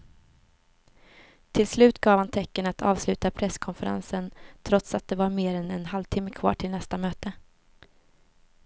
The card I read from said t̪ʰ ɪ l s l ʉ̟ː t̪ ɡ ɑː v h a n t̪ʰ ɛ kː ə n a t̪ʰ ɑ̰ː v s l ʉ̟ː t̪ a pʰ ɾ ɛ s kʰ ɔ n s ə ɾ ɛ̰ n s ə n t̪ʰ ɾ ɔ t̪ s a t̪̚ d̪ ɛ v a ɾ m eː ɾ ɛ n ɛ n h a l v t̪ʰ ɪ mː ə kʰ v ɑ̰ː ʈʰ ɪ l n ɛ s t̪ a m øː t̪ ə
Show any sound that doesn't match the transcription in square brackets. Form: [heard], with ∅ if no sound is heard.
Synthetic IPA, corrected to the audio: t̪ʰ ɪ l s l ʉ̟ː t̪ ɡ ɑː v h a n t̪ʰ ɛ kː ə n a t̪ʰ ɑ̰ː v s l ʉ̟ː t̪ a pʰ ɾ ɛ s kʰ ɔ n [f] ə ɾ [a̰] n s ə n t̪ʰ ɾ ɔ t̪ s a t̪̚ d̪ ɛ v a ɾ m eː ɾ ɛ n ɛ n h a l v t̪ʰ ɪ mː ə kʰ v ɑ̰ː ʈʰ ɪ l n ɛ s t̪ a m øː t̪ ə